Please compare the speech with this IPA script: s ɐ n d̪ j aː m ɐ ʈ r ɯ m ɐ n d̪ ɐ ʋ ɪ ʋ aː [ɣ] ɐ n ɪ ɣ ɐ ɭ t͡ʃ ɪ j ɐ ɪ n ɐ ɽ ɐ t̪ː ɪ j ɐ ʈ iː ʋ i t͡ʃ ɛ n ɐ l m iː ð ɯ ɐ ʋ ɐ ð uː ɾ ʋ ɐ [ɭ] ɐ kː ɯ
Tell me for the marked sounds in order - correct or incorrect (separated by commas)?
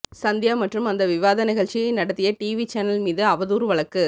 incorrect, correct